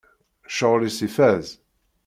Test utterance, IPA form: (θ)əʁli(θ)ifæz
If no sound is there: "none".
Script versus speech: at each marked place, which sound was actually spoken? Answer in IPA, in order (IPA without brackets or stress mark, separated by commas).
ʃ, s